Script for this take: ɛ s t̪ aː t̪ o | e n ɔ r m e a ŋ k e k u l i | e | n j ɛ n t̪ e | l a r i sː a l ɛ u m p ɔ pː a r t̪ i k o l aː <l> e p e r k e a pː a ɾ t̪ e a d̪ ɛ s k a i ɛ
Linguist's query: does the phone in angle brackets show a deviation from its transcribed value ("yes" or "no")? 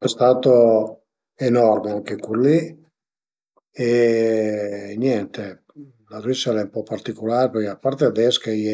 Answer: yes